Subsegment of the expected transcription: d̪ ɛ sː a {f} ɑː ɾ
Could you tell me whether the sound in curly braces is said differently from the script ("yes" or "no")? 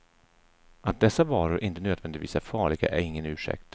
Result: yes